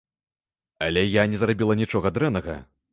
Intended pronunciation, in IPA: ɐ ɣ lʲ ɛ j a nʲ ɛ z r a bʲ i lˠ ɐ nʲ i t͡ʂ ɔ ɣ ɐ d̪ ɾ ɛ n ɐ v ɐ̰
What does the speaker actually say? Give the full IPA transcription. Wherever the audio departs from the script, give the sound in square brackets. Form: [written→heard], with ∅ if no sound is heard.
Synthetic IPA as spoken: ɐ [ɣ→∅] lʲ ɛ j a nʲ ɛ z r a bʲ i lˠ ɐ nʲ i t͡ʂ ɔ ɣ ɐ d̪ ɾ ɛ n ɐ [v→ɣ] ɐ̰